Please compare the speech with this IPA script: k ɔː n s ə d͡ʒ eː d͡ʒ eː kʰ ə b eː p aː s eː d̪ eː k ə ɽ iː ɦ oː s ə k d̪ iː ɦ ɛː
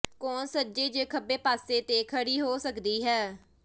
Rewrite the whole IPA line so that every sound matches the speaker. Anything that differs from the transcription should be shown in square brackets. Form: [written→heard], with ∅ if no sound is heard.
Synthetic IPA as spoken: k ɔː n s ə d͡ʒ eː d͡ʒ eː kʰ ə b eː p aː s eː [d̪→t̪] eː [k→kʰ] ə ɽ iː ɦ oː s ə k d̪ iː ɦ ɛː